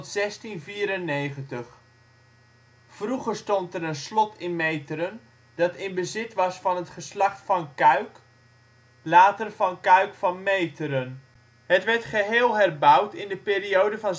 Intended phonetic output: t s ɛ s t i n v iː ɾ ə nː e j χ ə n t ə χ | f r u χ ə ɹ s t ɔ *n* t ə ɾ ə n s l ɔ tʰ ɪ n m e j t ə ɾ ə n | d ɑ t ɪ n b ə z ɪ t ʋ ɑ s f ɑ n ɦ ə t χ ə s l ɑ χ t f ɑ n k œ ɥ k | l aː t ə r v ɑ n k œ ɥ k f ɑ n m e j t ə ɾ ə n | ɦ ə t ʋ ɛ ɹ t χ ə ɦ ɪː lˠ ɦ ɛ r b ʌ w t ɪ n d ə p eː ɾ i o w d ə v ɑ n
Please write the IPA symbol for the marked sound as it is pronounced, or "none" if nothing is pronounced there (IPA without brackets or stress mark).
n